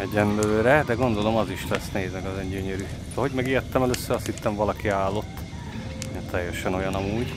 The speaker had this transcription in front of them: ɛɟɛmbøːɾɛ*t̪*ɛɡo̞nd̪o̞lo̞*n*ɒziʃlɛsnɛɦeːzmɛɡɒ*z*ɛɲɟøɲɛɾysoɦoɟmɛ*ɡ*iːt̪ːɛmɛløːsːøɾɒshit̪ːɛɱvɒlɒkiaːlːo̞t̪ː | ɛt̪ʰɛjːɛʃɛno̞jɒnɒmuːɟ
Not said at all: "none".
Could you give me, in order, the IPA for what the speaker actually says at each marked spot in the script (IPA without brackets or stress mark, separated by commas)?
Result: d̪, m, z, ɡ